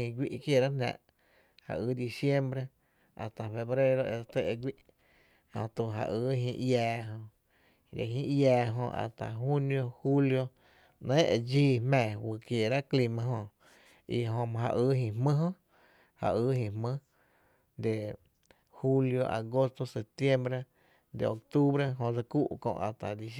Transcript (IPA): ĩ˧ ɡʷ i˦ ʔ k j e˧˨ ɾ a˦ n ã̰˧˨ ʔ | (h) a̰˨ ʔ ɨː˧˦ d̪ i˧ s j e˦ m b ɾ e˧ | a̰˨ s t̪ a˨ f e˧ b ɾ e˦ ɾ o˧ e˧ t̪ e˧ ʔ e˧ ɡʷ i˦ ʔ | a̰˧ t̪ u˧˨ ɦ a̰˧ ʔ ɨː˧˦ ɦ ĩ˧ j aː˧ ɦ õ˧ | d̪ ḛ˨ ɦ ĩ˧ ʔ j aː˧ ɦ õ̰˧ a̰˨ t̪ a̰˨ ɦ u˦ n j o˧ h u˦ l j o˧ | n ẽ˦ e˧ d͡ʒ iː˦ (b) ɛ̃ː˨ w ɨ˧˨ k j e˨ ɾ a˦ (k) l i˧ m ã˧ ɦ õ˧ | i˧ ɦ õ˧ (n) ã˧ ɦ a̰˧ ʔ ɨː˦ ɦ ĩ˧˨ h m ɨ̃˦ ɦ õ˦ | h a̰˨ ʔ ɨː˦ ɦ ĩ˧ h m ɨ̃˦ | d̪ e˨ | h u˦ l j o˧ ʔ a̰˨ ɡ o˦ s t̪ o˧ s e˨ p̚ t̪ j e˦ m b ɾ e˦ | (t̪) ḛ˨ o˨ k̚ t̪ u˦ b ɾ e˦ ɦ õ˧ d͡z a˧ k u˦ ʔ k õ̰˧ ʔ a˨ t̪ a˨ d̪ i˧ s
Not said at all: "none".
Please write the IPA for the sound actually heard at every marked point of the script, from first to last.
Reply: h, m, k, m, d̪

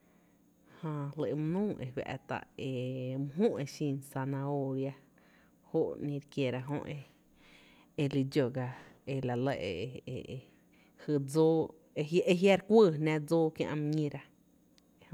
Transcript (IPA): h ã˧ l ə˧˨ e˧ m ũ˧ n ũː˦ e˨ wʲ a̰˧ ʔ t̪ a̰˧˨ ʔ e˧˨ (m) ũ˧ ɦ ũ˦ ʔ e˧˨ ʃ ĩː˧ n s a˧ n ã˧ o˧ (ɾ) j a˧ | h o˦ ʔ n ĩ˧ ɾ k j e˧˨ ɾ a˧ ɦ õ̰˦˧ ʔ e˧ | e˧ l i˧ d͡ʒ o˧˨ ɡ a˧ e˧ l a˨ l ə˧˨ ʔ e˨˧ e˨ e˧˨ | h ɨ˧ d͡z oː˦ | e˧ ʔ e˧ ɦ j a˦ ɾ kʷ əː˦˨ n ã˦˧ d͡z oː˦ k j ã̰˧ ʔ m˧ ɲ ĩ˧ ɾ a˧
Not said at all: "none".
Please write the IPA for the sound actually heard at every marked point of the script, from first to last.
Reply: m, ɾ

